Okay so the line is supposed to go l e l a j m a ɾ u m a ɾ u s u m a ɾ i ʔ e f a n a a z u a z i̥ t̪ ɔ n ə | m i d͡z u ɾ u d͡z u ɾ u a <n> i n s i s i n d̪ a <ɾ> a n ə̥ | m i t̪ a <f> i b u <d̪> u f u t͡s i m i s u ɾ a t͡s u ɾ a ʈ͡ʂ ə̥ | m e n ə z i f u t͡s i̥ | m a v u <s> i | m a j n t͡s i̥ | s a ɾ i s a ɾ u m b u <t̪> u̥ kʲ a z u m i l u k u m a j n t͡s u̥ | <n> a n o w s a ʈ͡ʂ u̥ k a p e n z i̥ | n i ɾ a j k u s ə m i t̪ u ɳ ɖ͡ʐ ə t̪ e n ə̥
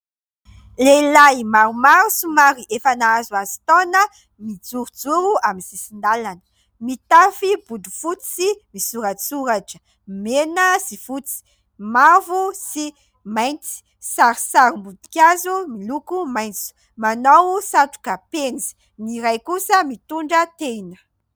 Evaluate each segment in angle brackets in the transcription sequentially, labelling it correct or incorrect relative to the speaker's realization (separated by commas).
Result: incorrect, incorrect, correct, correct, correct, incorrect, incorrect